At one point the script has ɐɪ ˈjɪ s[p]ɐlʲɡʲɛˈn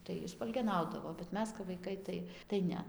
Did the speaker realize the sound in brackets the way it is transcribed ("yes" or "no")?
yes